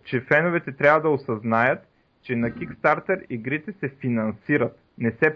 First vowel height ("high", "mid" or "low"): mid